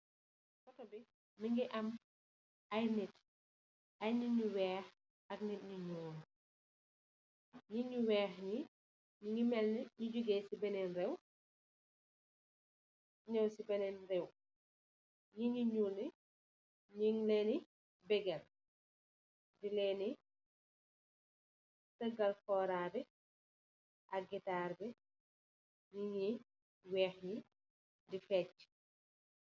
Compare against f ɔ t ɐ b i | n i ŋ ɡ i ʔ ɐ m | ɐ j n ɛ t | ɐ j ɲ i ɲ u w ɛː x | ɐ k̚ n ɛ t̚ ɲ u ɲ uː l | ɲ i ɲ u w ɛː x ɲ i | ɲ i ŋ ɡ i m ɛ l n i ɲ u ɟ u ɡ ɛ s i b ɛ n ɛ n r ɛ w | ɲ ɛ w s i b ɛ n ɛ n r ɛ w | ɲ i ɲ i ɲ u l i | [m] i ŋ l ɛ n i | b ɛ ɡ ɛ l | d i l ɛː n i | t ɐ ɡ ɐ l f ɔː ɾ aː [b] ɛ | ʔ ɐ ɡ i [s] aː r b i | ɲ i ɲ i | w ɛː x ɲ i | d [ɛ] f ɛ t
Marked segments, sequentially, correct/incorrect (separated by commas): incorrect, correct, incorrect, incorrect